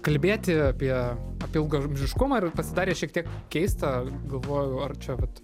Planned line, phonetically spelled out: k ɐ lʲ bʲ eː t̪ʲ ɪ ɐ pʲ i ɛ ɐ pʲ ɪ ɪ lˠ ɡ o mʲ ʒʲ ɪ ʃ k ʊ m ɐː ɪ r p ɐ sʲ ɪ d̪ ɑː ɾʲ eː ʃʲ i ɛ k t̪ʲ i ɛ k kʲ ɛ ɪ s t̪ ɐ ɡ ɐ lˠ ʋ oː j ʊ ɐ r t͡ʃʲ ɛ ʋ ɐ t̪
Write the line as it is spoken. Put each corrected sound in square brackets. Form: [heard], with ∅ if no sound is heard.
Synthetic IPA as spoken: k ɐ lʲ bʲ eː t̪ʲ ɪ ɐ pʲ i ɛ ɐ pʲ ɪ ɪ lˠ ɡ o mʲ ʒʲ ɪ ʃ k ʊ m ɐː ɪ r p ɐ sʲ ɪ d̪ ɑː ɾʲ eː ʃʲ i ɛ k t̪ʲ i ɛ k kʲ ɛ ɪ s t̪ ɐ ɡ ɐ lˠ ʋ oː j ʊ ɐ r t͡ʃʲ ɛ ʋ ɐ t̪